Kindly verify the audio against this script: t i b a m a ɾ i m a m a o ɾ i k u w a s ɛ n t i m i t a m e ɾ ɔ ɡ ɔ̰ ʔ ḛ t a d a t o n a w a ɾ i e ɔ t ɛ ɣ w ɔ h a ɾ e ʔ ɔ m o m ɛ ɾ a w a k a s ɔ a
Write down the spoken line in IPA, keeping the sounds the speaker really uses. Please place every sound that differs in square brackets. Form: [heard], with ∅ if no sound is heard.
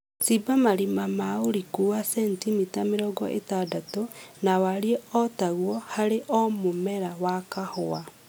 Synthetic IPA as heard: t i b a m a ɾ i m a m a o ɾ i k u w a s ɛ n t i m i t a m e ɾ ɔ ɡ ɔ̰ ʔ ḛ t a d a t o n a w a ɾ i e ɔ t [a] ɣ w ɔ h a ɾ e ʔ ɔ m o m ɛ ɾ a w a k a [h] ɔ a